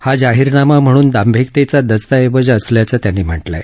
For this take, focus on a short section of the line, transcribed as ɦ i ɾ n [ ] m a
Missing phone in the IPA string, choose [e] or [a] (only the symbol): a